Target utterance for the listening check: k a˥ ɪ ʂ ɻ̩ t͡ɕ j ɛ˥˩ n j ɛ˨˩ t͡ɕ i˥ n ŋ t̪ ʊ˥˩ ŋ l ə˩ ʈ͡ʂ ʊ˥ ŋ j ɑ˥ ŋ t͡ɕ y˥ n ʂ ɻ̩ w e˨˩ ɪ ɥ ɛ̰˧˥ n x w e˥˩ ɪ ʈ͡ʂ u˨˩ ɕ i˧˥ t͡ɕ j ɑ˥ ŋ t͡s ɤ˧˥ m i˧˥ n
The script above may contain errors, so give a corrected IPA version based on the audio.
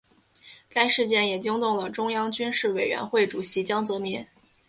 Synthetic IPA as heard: k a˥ ɪ ʂ ɻ̩ t͡ɕ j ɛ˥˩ n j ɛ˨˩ t͡ɕ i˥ ŋ t̪ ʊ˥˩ ŋ l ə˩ ʈ͡ʂ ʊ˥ ŋ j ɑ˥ ŋ t͡ɕ y˥ n ʂ ɻ̩ w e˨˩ ɪ ɥ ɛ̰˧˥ n x w e˥˩ ɪ ʈ͡ʂ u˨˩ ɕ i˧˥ t͡ɕ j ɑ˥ ŋ t͡s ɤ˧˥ m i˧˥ n